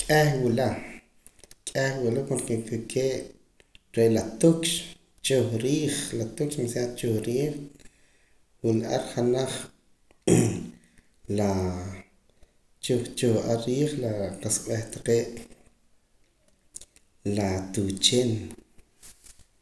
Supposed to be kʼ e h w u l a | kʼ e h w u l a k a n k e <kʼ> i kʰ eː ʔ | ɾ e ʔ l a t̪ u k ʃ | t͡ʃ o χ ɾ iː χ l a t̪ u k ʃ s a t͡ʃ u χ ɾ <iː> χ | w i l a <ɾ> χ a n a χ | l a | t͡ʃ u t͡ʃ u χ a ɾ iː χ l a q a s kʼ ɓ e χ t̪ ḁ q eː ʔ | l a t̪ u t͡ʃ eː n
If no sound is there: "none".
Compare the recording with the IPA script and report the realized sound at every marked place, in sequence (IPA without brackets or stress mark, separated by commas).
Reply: k, iː, ɾ